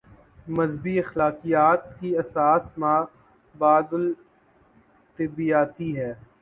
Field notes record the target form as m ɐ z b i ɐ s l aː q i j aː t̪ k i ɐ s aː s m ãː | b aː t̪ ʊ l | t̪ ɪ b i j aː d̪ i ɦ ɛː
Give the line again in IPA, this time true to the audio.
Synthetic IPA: m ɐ z b i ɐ x l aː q i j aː t̪ k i ɐ s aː s m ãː | b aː d̪ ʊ l | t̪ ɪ b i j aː t̪ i ɦ ɛː